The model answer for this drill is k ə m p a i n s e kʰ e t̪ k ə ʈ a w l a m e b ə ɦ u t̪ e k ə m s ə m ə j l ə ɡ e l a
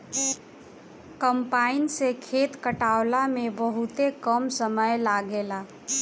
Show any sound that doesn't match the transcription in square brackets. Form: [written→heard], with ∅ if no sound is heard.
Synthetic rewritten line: k ə m p a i n s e kʰ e t̪ k ə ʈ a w l a m e b ə ɦ u t̪ e k ə m s ə m ə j l [ə→a] ɡ e l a

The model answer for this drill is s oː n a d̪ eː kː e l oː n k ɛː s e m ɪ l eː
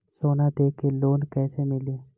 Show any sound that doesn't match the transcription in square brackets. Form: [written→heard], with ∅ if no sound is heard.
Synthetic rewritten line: s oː n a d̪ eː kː e l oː n k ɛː s e m ɪ l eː

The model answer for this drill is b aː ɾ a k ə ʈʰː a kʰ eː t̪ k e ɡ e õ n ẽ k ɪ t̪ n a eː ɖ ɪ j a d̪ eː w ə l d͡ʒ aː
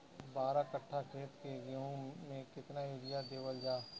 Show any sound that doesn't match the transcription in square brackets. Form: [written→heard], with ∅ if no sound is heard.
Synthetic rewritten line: b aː ɾ a k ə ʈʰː a kʰ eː t̪ k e ɡ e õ [n→m] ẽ k ɪ t̪ n a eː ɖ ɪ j a d̪ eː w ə l d͡ʒ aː

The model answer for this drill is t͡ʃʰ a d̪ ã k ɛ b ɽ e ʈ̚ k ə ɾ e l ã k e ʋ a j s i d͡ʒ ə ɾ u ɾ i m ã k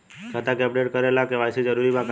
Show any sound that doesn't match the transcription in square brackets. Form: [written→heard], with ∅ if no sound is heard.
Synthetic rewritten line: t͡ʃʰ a [d̪→t̪] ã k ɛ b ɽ e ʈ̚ k ə ɾ e l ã k e ʋ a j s i d͡ʒ ə ɾ u ɾ i m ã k

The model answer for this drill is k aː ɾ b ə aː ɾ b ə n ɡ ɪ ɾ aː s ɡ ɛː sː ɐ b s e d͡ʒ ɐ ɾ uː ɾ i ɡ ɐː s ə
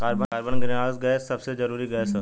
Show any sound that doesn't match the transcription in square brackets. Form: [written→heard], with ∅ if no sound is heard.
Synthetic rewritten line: k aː ɾ b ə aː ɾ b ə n ɡ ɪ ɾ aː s ɡ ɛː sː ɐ b s e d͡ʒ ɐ ɾ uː ɾ i ɡ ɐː s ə

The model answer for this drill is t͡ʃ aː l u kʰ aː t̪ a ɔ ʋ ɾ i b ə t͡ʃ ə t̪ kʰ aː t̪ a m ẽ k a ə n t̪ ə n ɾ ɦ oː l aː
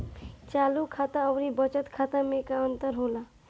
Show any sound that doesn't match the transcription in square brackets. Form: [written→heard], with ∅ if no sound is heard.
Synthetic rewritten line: t͡ʃ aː l u kʰ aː t̪ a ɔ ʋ ɾ i b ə t͡ʃ ə t̪ kʰ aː t̪ a m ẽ k a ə n t̪ ə [n→∅] ɾ ɦ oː l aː

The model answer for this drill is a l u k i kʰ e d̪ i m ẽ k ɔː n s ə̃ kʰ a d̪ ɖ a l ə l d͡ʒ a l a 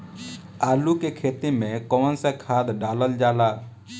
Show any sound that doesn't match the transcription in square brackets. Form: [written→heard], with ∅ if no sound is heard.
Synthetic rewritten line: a l u k [i→e] kʰ e [d̪→t̪] i m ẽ k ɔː n s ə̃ kʰ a d̪ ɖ a l ə l d͡ʒ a l a

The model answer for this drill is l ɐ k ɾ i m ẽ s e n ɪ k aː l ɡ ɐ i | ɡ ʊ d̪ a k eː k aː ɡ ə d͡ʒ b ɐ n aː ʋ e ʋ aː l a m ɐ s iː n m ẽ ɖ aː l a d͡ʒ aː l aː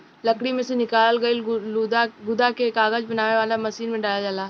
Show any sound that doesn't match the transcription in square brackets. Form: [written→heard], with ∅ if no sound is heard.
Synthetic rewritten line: l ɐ k [ɾ→ɽ] i m ẽ s e n ɪ k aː l ɡ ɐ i | ɡ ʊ d̪ a k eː k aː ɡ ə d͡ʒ b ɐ n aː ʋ e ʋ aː l a m ɐ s iː n m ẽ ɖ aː l a d͡ʒ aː l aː

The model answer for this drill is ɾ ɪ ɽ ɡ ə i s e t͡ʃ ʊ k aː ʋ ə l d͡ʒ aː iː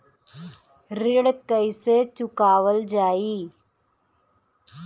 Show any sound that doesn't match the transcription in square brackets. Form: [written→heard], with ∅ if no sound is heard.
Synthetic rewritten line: ɾ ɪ ɽ [ɡ→k] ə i s e t͡ʃ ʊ k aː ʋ ə l d͡ʒ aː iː

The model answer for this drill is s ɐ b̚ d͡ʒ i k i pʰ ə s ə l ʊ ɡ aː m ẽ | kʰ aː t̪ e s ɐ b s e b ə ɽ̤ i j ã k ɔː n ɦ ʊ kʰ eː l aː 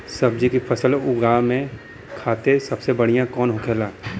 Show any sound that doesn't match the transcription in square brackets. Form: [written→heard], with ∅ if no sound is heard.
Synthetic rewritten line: s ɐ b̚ d͡ʒ i k i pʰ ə s ə l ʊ ɡ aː m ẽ | kʰ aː t̪ e s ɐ b s e b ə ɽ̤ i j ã k ɔː n ɦ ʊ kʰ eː l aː

